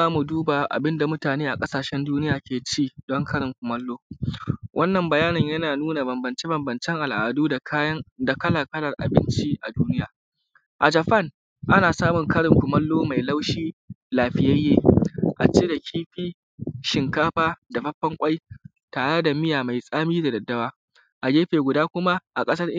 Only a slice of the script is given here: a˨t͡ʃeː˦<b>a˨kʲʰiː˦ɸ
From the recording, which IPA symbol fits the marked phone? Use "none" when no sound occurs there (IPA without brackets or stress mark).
d